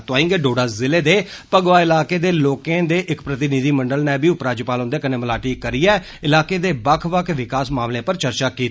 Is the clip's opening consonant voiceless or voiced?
voiceless